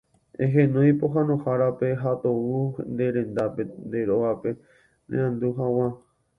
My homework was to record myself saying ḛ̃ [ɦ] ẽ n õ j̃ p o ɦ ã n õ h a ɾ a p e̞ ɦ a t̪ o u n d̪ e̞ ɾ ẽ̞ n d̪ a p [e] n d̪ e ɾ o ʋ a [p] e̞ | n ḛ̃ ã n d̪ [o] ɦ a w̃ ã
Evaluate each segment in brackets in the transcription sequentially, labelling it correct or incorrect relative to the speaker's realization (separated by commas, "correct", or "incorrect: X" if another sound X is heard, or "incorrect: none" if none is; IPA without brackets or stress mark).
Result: correct, correct, correct, incorrect: u